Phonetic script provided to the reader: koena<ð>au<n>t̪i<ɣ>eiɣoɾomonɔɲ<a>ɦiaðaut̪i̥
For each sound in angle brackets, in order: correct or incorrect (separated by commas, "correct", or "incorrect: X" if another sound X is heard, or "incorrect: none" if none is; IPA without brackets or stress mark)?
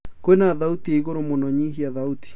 correct, incorrect: none, incorrect: none, incorrect: i